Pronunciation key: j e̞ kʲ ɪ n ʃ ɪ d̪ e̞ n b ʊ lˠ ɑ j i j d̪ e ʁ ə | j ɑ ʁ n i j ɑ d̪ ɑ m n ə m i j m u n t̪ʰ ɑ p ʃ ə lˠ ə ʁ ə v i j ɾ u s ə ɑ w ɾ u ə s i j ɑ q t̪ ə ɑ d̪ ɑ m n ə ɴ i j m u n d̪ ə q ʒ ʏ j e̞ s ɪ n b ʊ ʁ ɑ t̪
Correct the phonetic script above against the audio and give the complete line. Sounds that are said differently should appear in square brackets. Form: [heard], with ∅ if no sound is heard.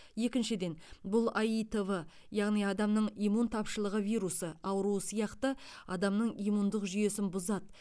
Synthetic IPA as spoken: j e̞ kʲ ɪ n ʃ ɪ d̪ e̞ n b ʊ lˠ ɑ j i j [t̪] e [v] ə | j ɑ ʁ n i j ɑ d̪ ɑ m n ə [ɴ] i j m u n t̪ʰ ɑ p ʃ ə lˠ ə ʁ ə v i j ɾ u s ə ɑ w ɾ u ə s i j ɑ q t̪ ə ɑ d̪ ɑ m n ə ɴ i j m u n d̪ ə q ʒ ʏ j e̞ s ɪ n b ʊ [z] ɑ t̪